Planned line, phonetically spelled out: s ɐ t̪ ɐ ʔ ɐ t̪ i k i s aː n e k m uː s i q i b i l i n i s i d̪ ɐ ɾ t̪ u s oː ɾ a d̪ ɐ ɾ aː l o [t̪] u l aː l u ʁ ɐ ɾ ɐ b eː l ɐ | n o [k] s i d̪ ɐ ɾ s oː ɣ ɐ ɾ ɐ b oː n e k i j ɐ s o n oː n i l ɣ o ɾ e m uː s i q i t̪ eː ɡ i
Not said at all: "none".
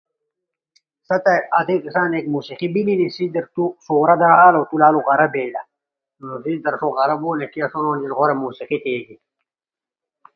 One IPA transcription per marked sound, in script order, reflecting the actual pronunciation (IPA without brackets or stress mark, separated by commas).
t̪, none